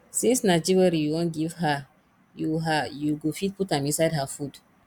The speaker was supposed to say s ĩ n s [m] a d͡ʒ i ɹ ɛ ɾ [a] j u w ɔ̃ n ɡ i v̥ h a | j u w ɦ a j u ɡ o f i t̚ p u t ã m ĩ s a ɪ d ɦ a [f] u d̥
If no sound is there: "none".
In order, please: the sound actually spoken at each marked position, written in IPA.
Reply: n, i, f

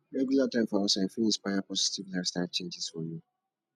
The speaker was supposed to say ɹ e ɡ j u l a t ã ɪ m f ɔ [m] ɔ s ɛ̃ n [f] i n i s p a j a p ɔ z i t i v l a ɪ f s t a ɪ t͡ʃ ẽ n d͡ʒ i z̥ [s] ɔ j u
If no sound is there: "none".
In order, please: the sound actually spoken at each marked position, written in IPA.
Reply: none, f, f

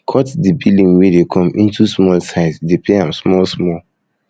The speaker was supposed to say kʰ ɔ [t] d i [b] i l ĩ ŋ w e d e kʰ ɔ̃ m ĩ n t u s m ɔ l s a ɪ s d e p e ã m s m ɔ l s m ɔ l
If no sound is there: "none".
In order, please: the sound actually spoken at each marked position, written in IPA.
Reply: t, b

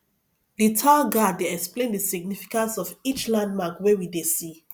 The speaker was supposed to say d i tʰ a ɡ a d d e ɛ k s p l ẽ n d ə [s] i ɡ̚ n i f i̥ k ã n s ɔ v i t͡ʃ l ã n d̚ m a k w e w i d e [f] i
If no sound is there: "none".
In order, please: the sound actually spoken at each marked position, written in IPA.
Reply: s, s

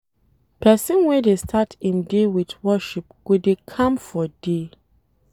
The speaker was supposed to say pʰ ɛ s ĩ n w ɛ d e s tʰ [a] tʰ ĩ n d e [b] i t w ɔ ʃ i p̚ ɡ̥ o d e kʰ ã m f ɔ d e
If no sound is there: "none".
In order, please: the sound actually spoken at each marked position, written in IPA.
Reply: a, w

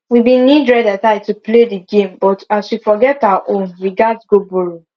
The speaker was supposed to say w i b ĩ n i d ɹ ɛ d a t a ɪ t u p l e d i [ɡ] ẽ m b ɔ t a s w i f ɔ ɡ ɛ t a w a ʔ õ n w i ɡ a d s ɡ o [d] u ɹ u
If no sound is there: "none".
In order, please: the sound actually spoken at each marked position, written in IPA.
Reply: ɡ, b

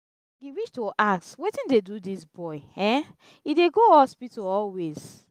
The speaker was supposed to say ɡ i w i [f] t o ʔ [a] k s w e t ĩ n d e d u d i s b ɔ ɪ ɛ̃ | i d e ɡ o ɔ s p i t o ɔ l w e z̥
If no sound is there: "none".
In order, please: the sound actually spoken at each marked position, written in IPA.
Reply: ʃ, a

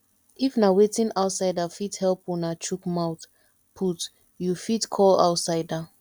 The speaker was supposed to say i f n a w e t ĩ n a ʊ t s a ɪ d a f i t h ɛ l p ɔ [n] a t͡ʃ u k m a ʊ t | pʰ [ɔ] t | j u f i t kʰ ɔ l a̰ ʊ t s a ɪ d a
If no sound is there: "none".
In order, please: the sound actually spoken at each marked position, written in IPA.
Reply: n, u

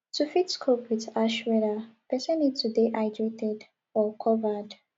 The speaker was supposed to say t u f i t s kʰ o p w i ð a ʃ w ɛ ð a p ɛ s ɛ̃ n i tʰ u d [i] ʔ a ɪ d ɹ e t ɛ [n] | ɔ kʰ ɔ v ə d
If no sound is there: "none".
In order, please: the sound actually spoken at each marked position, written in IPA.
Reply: e, d

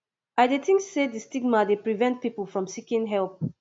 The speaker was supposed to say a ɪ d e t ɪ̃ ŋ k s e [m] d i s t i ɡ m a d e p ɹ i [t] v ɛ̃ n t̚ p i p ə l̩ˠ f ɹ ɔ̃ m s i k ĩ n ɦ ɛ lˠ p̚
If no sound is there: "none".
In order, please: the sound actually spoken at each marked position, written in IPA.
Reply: none, none

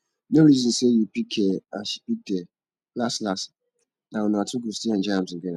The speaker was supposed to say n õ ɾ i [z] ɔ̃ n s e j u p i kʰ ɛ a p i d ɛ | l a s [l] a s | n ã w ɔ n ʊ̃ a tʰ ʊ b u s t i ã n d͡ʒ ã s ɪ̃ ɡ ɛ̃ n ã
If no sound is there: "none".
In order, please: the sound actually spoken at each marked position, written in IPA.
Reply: z, l

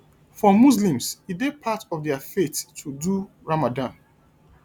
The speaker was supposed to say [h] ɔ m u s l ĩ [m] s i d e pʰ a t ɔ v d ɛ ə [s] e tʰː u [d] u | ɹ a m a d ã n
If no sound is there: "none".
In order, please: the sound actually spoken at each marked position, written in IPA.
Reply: f, m, f, d

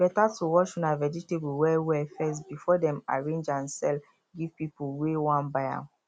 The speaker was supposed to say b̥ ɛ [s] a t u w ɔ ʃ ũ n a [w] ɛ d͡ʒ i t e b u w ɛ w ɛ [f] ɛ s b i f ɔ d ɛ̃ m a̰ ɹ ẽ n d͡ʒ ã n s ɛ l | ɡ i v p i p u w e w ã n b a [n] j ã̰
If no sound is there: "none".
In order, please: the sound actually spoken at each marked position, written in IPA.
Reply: t, v, f, none

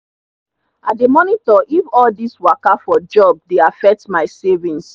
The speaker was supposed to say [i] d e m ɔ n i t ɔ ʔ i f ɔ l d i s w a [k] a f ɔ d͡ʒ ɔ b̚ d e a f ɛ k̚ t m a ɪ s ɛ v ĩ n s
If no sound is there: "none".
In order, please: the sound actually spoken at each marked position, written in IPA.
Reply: a, k

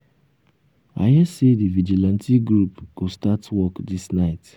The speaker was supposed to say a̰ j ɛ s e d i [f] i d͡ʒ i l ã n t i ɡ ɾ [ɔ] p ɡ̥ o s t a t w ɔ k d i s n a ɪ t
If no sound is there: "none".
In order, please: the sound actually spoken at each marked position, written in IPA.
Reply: v, u

